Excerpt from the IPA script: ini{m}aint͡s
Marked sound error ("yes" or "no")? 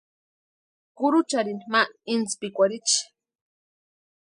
no